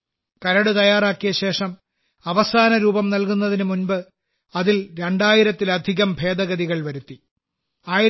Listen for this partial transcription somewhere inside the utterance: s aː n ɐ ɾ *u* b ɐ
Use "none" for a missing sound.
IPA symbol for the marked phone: uː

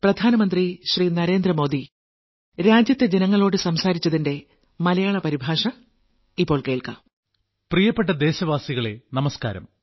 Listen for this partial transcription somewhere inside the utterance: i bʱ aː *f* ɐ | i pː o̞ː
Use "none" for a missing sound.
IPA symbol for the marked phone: ʂ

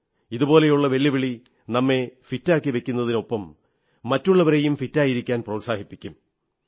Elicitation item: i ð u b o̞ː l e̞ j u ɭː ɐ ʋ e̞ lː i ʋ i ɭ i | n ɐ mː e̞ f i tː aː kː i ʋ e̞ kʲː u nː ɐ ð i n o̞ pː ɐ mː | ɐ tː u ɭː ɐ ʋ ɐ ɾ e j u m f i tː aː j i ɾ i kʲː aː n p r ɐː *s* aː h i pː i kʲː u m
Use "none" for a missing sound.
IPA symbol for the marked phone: s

